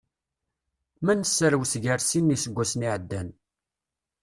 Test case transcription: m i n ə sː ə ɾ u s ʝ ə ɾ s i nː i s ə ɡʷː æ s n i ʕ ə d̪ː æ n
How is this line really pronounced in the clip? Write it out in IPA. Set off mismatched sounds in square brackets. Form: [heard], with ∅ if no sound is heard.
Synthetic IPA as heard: m [æ] n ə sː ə ɾ [w] s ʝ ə ɾ s i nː i s ə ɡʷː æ s n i ʕ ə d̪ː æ n